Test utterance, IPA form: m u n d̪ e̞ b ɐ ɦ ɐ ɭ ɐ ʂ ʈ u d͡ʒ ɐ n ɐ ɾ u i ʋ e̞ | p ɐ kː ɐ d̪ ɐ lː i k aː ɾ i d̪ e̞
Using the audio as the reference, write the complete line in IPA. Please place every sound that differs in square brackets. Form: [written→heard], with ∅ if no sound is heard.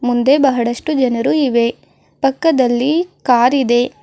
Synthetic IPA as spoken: m u n d̪ e̞ b ɐ ɦ ɐ [ɭ→ɽ] ɐ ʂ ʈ u d͡ʒ ɐ n ɐ ɾ u i ʋ e̞ | p ɐ kː ɐ d̪ ɐ lː i k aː ɾ i d̪ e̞